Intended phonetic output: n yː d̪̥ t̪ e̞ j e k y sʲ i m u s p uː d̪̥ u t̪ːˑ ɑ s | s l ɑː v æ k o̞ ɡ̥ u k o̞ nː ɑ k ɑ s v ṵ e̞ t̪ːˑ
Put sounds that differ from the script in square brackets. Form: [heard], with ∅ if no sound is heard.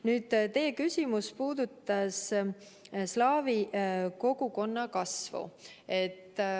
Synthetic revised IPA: n yː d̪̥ t̪ e̞ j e k y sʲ i m u s p uː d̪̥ u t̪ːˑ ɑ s | s l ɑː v [i] k o̞ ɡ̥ u k o̞ nː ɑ k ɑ s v ṵ e̞ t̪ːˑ